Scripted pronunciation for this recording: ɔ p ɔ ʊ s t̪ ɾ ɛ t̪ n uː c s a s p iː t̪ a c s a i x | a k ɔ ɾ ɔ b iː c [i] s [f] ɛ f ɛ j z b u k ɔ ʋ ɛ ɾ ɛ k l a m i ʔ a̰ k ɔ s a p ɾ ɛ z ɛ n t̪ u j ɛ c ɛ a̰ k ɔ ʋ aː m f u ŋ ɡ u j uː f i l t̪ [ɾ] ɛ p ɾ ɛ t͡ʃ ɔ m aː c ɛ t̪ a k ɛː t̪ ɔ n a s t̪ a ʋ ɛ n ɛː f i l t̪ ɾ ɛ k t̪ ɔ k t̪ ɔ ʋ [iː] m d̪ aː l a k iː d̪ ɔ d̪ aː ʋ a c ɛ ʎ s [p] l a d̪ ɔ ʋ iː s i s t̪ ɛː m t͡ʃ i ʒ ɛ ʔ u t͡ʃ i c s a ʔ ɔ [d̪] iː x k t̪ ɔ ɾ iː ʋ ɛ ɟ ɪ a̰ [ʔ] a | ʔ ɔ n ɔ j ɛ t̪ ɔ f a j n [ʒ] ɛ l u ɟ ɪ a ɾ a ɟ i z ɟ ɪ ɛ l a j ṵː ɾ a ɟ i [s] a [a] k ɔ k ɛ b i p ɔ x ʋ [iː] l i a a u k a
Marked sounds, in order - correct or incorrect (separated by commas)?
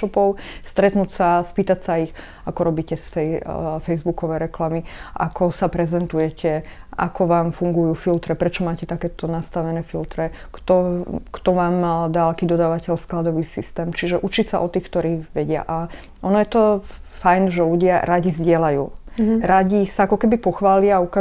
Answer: incorrect, correct, correct, incorrect, incorrect, incorrect, correct, correct, correct, correct, incorrect